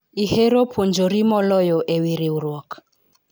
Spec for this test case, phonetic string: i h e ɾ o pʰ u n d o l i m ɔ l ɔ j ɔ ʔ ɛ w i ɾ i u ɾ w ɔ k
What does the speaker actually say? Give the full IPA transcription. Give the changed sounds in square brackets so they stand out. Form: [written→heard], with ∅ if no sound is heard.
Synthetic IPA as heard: i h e ɾ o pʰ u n [d→d͡ʒ] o [l→ɾ] i m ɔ l ɔ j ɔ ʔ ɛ w i ɾ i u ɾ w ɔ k